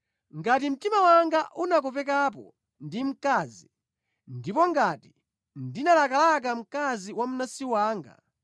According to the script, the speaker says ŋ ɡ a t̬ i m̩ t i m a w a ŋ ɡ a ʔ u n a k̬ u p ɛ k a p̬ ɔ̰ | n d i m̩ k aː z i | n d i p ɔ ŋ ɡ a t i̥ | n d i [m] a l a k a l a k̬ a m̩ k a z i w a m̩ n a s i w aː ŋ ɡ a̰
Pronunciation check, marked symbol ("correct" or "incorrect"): incorrect